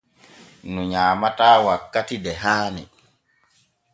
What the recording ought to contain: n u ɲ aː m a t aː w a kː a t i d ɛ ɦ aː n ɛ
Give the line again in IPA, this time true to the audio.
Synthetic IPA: n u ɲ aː m a t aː w a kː a t i d ɛ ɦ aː n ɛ